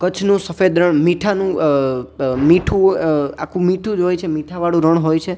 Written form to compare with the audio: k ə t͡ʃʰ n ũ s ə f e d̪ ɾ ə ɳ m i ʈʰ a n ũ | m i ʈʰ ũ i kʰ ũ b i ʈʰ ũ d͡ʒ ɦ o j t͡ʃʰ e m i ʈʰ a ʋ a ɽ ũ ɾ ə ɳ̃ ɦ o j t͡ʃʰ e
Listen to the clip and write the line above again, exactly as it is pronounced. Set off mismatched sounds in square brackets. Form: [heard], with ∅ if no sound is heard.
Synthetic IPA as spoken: k ə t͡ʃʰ n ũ s ə f e d̪ ɾ ə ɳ m i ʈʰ a n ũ | m i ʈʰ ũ [a] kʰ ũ [m] i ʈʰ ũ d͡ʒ ɦ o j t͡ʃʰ e m i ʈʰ a ʋ a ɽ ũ ɾ ə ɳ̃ ɦ o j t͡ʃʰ e